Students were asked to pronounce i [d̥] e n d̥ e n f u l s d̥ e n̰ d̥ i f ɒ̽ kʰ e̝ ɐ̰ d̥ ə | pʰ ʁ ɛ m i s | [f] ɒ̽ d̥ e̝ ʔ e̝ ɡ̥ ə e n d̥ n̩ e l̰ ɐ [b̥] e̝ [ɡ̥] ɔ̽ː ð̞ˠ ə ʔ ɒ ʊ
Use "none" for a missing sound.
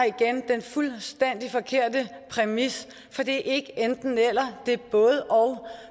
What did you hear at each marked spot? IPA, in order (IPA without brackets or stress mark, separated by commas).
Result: ɡ̥, f, d̥, b̥